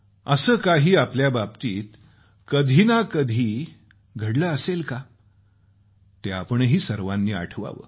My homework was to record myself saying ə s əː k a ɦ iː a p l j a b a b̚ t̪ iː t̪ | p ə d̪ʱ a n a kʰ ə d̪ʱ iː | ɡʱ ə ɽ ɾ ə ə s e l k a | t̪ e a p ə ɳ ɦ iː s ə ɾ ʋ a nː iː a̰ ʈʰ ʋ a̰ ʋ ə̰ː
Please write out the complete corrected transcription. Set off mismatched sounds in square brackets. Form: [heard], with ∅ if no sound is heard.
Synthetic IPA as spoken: ə s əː k a ɦ iː a p l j a b a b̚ t̪ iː t̪ | [k] ə d̪ʱ [i] n a [k] ə d̪ʱ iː | ɡʱ ə ɽ [l] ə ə s e l k a | t̪ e a p ə ɳ ɦ iː s ə ɾ ʋ a nː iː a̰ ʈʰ ʋ a̰ ʋ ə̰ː